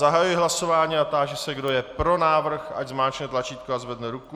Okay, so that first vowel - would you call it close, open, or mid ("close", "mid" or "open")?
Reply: open